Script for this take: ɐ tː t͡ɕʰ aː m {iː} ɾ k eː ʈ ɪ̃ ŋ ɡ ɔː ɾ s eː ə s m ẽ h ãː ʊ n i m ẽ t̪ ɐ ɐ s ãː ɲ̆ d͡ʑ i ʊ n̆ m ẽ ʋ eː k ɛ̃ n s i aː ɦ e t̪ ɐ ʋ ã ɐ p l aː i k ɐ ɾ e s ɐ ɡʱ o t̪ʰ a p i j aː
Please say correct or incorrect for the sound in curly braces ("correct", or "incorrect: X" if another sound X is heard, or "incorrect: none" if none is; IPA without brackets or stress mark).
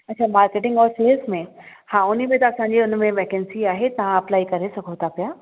incorrect: aː